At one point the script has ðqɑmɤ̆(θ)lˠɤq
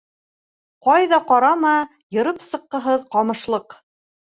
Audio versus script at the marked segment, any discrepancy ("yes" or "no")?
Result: yes